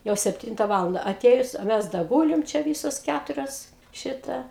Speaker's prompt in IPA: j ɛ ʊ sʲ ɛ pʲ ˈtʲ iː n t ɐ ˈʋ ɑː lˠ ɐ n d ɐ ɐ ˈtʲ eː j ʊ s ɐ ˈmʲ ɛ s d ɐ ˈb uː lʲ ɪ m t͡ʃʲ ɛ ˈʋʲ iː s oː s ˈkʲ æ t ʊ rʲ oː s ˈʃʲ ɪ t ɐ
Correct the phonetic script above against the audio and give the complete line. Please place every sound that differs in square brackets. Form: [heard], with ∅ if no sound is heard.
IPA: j ɛ ʊ sʲ ɛ pʲ ˈtʲ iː n t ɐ ˈʋ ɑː lˠ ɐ n d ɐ ɐ ˈtʲ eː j ʊ s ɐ ˈmʲ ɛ s d ɐ [ˈɡ] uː lʲ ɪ m t͡ʃʲ ɛ ˈʋʲ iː s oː s ˈkʲ æ t ʊ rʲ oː s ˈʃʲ ɪ t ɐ